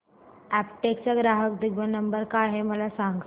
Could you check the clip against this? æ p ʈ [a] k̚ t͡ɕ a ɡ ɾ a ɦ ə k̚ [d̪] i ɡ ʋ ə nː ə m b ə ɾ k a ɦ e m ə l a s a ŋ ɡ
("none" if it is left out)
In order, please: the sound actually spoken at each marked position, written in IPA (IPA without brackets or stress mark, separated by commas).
e, d̪